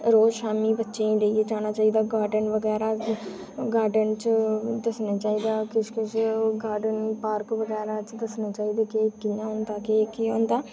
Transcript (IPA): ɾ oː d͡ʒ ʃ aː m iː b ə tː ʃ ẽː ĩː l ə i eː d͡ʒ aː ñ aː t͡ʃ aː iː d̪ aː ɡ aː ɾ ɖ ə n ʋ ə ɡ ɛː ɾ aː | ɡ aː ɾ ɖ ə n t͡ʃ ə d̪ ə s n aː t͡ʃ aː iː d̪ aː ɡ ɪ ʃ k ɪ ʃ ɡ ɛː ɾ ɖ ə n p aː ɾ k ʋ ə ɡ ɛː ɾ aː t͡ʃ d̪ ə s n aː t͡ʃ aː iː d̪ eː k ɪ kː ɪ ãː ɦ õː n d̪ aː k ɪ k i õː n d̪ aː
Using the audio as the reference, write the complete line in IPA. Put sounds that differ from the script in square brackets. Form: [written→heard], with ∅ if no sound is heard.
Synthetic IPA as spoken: ɾ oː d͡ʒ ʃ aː m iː b ə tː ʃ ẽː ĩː l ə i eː d͡ʒ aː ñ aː t͡ʃ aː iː d̪ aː ɡ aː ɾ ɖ ə n ʋ ə ɡ ɛː ɾ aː | ɡ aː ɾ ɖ ə n t͡ʃ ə d̪ ə s n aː t͡ʃ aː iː d̪ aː [ɡ→k] ɪ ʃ k ɪ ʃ ɡ [ɛː→aː] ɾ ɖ ə n p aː ɾ k ʋ ə ɡ ɛː ɾ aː t͡ʃ d̪ ə s n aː t͡ʃ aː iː d̪ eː k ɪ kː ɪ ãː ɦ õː n d̪ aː k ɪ k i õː n d̪ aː